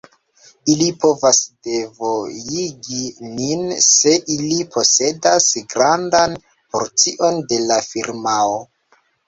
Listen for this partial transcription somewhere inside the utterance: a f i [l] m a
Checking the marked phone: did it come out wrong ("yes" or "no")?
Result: yes